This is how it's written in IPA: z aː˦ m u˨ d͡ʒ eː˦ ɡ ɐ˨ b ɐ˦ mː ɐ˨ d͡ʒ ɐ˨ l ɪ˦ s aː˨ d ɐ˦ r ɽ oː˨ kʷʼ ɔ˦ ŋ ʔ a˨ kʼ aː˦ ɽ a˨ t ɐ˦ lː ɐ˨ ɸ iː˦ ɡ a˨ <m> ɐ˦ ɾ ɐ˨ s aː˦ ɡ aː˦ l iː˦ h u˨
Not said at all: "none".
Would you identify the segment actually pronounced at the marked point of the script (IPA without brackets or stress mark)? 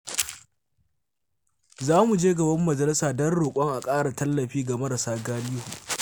m